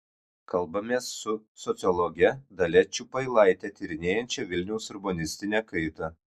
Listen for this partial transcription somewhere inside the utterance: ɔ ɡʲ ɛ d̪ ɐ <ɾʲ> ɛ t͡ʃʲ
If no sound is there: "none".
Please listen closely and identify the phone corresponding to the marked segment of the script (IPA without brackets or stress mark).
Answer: lʲ